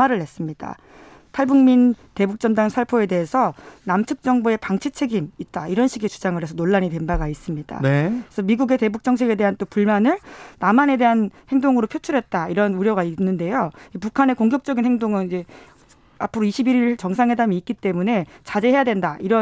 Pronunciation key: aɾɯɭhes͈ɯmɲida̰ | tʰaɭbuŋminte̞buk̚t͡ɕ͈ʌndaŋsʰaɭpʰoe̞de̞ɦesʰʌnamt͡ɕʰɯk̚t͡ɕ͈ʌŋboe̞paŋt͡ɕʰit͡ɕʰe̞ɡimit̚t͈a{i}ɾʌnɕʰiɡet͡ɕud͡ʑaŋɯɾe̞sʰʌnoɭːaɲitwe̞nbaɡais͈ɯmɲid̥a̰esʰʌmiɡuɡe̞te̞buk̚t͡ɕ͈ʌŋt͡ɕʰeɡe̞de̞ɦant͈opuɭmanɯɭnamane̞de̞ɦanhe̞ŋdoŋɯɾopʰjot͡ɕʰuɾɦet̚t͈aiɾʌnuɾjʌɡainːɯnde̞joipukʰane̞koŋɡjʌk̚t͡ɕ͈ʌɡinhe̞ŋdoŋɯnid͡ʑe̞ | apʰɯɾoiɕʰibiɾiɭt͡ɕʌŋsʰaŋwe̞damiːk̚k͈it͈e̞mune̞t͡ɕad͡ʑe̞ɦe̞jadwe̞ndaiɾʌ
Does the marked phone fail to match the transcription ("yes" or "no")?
no